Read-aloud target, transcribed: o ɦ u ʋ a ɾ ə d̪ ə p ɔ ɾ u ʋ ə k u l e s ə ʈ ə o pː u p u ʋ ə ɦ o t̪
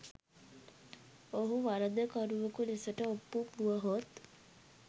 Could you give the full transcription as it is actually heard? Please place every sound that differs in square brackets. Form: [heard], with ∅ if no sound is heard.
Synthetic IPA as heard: o ɦ u ʋ a ɾ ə d̪ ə [k] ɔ ɾ u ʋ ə k u l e s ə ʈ ə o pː u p u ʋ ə ɦ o t̪

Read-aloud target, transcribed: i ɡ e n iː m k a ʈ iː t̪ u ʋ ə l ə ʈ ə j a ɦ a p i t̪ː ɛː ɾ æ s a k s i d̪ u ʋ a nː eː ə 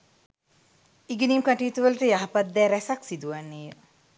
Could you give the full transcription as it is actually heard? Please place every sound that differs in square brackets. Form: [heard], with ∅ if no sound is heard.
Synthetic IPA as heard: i ɡ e n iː m k a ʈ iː t̪ u ʋ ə l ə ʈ ə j a ɦ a p [a] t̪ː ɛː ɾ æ s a k s i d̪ u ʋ a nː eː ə

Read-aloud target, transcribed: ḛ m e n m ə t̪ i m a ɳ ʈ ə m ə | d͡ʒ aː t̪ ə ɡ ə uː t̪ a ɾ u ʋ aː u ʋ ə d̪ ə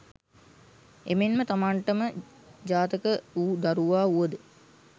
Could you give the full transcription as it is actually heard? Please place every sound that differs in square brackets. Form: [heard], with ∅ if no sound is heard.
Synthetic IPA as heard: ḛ m e n m ə t̪ [a] m a ɳ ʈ ə m ə | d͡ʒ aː t̪ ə [k] ə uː [d̪] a ɾ u ʋ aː u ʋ ə d̪ ə

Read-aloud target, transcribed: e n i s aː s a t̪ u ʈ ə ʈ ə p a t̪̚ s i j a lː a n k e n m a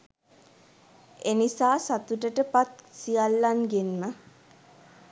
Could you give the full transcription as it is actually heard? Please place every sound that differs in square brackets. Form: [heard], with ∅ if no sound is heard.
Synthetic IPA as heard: e n i s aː s a t̪ u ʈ ə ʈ ə p a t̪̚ s i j a lː a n [ɡ] e n m [ə]

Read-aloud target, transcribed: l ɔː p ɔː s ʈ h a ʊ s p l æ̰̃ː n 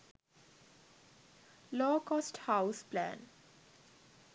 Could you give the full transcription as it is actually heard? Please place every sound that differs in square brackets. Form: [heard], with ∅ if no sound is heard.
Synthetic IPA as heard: l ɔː [k] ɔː s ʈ h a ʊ s p l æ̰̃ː n

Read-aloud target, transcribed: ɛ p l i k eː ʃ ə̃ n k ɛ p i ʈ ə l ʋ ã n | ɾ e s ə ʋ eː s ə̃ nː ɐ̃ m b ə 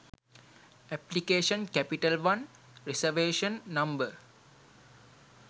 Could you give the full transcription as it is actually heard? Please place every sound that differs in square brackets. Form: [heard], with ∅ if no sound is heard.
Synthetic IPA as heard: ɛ p l i k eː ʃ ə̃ n k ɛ p i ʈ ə l ʋ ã n | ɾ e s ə ʋ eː [ʃ] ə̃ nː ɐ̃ m b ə

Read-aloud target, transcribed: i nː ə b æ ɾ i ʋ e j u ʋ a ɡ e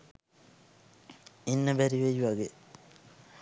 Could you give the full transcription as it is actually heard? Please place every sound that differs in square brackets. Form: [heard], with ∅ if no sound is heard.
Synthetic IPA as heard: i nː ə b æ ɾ i ʋ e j u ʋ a ɡ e

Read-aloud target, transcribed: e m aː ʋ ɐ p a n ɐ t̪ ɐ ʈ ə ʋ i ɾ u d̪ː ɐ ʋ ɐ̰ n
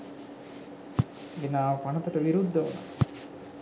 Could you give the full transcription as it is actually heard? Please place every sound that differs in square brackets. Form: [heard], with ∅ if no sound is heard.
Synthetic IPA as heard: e [n] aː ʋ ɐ p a n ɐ t̪ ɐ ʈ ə ʋ i ɾ u d̪ː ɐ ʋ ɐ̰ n

